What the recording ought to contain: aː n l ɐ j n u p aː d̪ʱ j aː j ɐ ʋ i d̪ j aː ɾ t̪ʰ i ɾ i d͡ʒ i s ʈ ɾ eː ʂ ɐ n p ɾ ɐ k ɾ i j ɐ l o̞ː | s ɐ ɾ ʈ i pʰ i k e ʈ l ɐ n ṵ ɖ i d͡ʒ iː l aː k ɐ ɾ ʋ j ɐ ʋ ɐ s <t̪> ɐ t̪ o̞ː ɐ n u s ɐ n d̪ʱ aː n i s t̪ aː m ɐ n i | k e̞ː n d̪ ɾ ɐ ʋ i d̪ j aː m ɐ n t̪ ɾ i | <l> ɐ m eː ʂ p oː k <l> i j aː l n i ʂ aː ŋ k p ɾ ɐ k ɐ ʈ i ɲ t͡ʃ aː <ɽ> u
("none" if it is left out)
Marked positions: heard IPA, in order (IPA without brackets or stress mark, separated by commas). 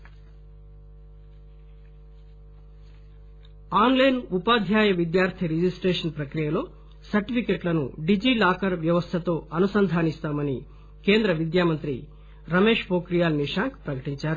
t̪ʰ, ɾ, ɾ, ɾ